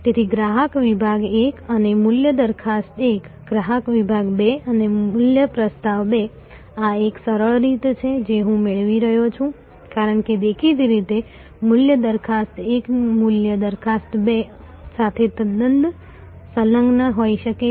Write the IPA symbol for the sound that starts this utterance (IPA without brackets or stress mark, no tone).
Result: t̪